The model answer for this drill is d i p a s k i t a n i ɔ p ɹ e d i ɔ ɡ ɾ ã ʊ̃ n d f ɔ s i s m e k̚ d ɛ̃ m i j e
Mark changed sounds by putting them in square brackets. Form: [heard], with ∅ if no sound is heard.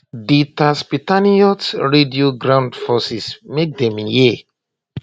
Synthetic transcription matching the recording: d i [t] a s [p] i t a n i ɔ [t] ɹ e d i [o] ɡ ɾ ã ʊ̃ n d f ɔ s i s m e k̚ d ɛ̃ m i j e